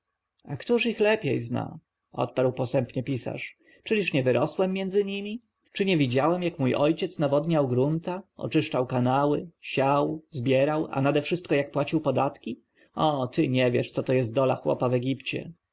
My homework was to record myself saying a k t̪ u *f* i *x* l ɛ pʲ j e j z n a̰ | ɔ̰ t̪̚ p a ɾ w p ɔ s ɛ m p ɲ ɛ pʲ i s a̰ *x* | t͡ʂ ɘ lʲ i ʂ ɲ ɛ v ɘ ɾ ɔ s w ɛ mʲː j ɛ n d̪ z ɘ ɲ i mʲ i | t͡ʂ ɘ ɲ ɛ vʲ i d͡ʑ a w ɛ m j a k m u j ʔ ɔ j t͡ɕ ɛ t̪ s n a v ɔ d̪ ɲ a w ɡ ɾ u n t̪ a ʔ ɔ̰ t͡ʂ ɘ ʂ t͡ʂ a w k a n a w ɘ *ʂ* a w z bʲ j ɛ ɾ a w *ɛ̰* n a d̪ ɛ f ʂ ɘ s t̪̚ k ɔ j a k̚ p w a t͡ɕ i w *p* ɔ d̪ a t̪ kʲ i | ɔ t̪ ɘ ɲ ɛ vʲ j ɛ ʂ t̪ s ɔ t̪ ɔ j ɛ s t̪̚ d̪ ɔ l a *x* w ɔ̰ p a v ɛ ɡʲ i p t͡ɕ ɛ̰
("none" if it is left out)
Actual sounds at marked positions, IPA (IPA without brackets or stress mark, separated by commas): ʂ, x, ʂ, ɕ, a̰, p, x